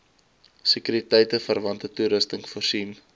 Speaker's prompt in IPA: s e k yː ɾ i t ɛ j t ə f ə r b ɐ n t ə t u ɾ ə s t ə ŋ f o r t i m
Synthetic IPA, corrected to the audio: s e k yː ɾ i t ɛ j t ə f ə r v ɐ n t ə t u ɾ ə s t ə ŋ f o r s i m